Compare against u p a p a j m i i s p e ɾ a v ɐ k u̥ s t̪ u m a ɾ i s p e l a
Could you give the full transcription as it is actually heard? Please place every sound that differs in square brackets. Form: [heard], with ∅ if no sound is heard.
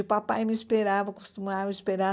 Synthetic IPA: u p a p a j m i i s p e ɾ a v ɐ k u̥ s t̪ u m a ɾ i s p e [ɾ] a

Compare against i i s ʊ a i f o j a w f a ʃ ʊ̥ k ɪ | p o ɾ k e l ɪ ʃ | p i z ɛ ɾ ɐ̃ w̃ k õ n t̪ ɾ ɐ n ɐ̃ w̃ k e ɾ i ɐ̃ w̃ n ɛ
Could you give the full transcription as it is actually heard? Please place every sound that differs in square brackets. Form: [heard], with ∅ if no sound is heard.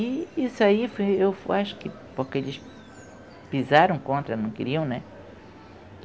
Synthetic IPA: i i s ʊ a i f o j [e] w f a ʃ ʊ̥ k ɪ | p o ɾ k e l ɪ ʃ | p i z [a] ɾ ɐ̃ w̃ k õ n t̪ ɾ ɐ n ɐ̃ w̃ k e ɾ i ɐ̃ w̃ n ɛ

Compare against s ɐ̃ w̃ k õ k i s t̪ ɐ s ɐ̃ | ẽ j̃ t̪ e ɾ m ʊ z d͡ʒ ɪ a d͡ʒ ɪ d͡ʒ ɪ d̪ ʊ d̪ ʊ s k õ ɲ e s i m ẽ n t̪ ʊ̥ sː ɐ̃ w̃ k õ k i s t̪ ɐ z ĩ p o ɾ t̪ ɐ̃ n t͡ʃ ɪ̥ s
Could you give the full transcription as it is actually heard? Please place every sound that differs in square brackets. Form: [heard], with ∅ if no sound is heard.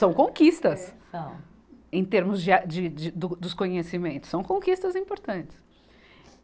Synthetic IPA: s ɐ̃ w̃ k õ k i s t̪ ɐ s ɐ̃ | ẽ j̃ t̪ e ɾ m ʊ z d͡ʒ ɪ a d͡ʒ ɪ d͡ʒ ɪ d̪ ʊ d̪ ʊ s k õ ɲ e s i m ẽ n t̪ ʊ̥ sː ɐ̃ w̃ k õ k i s t̪ ɐ z ĩ p o ɾ t̪ ɐ̃ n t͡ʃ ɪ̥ s

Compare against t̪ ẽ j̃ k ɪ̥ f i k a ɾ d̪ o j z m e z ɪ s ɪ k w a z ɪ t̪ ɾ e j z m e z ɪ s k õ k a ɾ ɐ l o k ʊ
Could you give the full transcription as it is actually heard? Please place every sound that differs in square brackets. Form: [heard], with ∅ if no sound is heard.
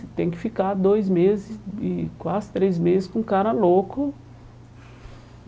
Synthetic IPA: t̪ ẽ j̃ k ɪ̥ f i k a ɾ d̪ o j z m e z ɪ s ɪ k w a z ɪ t̪ ɾ e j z m e z ɪ s k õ k a ɾ ɐ l o k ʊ

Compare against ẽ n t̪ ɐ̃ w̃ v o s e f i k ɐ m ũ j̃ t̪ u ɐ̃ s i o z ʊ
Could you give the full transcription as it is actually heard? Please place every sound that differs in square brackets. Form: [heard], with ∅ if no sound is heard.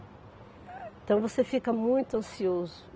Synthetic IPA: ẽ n t̪ ɐ̃ w̃ v o s e f i k ɐ m ũ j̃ t̪ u ɐ̃ s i o z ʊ

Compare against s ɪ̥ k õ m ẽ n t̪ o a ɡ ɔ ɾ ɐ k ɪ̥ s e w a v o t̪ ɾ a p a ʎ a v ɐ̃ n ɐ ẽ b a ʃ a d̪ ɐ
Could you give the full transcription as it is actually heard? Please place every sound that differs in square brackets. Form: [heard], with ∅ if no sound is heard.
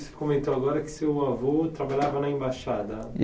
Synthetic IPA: s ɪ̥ k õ m ẽ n t̪ o a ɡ ɔ ɾ ɐ k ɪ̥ s e w a v o t̪ ɾ a [b] a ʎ a v [ɐ] n ɐ ẽ b a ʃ a d̪ ɐ

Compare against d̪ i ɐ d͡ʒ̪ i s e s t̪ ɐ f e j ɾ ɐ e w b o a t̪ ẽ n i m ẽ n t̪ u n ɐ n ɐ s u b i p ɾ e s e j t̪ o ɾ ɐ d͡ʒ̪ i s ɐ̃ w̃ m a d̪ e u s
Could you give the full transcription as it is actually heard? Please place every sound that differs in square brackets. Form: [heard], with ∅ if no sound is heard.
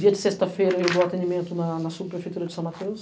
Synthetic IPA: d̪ i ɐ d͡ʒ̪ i s e s t̪ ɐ f e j ɾ ɐ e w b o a t̪ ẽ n i m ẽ n t̪ u n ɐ n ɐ s u b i p ɾ e [f] e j t̪ [u] ɾ ɐ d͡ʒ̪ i s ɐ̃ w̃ m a [t̪] e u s

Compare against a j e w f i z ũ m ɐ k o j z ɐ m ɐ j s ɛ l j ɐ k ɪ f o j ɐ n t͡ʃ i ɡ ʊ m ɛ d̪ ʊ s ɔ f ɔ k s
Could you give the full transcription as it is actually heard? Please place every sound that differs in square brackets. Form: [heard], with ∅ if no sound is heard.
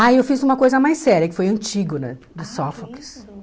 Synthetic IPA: a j e w f i z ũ m ɐ k o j z ɐ m [a] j s ɛ [ɾ] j ɐ k ɪ f o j [ɐ̃] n t͡ʃ i ɡ ʊ [n] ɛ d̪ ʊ s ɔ f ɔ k s

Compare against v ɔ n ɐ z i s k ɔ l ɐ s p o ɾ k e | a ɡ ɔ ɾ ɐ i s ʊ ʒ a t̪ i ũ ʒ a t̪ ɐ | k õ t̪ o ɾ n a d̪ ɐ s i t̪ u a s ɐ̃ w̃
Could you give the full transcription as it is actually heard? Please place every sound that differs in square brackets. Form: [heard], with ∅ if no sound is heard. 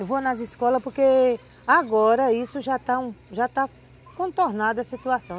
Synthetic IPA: v [o] n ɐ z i s k ɔ l ɐ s p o ɾ k e | a ɡ ɔ ɾ ɐ i s ʊ ʒ a t̪ [a] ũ ʒ a t̪ [a] | k õ t̪ o ɾ n a d̪ ɐ s i t̪ u a s ɐ̃ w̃

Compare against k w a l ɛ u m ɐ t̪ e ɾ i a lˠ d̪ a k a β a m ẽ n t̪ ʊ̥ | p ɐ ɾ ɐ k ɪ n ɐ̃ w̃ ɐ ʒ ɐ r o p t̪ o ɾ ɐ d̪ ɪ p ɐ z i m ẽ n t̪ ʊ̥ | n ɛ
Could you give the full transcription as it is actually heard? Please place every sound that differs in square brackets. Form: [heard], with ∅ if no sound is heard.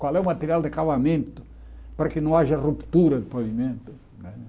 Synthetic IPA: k w a l ɛ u m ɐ t̪ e ɾ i a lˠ d̪ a k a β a m ẽ n t̪ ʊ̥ | p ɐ ɾ ɐ k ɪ n ɐ̃ w̃ [a] ʒ ɐ r [u] p t̪ [u] ɾ ɐ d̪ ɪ p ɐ [v] i m ẽ n t̪ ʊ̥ | n ɛ

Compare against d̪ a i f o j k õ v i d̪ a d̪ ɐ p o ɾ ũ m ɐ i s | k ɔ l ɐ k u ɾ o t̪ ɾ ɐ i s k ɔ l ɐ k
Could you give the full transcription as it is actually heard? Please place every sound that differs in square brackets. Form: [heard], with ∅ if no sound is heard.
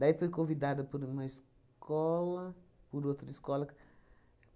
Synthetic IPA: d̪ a i f o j k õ v i d̪ a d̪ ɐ p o ɾ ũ m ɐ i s | k ɔ l ɐ [p] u ɾ o t̪ ɾ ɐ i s k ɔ l ɐ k

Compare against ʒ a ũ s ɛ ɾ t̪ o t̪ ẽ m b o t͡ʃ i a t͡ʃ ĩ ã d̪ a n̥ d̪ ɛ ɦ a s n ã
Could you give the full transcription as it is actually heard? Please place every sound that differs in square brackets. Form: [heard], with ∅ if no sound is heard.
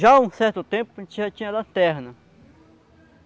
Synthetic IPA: ʒ a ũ s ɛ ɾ t̪ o t̪ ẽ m [p] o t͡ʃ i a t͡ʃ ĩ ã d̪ a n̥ [t̪] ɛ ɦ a [∅] n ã

